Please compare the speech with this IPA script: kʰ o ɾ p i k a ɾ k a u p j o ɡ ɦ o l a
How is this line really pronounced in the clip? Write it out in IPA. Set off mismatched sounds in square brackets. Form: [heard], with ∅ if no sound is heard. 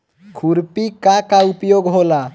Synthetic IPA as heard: kʰ [u] ɾ p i k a [∅] k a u p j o ɡ ɦ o l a